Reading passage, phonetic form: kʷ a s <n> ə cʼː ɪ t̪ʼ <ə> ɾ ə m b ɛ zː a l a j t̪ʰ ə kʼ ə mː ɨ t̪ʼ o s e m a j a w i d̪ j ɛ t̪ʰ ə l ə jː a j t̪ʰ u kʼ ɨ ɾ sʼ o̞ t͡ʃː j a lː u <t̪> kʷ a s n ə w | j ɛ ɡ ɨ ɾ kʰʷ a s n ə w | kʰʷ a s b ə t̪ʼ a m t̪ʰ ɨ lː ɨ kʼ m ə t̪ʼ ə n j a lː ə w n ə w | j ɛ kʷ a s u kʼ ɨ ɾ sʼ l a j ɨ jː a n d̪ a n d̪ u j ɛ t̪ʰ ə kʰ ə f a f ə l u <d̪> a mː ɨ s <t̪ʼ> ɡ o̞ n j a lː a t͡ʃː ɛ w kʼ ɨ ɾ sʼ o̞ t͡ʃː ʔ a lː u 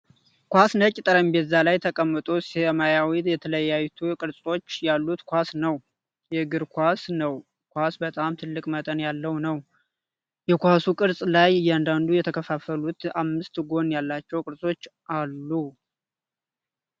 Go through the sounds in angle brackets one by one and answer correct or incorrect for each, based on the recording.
correct, correct, correct, incorrect, incorrect

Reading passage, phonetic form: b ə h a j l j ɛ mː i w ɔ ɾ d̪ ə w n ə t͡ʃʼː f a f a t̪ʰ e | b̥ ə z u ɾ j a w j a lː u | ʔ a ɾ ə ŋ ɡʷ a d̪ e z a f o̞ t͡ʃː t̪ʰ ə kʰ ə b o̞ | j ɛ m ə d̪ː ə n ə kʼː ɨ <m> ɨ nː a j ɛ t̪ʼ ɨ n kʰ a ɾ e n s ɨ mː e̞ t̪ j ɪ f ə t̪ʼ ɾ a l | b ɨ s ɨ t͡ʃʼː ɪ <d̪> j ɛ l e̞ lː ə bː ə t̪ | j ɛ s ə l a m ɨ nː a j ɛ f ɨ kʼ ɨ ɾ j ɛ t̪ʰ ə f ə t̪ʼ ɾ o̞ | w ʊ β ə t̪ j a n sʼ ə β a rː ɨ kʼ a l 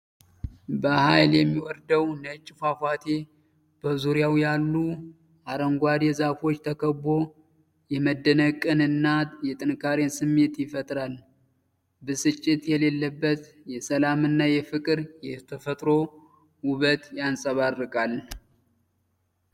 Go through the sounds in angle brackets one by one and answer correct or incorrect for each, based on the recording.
incorrect, incorrect

